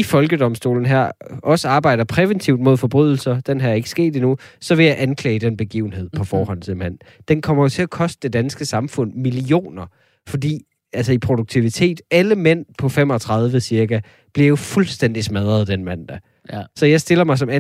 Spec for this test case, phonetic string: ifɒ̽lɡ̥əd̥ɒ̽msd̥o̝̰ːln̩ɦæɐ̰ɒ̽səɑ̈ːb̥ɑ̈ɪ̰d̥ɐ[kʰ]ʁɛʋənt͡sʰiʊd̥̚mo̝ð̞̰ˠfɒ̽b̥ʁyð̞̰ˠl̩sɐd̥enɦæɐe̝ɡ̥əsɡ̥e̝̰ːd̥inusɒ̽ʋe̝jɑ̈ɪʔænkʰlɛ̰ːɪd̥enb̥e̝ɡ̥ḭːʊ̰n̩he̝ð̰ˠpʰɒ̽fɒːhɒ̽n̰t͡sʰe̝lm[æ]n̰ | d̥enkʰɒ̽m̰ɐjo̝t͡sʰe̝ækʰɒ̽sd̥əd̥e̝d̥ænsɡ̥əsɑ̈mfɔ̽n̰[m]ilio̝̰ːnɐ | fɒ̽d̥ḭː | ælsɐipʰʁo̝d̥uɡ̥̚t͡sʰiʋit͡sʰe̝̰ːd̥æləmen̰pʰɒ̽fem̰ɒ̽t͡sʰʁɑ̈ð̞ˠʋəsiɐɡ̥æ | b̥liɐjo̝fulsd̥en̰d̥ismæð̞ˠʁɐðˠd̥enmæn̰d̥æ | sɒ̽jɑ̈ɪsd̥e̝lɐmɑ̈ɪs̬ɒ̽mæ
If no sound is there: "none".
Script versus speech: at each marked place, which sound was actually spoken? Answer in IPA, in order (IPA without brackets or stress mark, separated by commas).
pʰ, æ, m